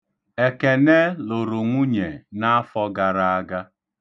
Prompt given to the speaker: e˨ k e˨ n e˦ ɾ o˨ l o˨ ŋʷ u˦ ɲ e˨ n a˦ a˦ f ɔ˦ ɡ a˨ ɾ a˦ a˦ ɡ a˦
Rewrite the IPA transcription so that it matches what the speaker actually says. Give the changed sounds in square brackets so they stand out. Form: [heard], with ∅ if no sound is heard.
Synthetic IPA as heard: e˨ k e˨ n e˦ [l] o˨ [ɾ] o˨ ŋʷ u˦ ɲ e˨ n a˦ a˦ f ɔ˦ ɡ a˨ ɾ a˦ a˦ ɡ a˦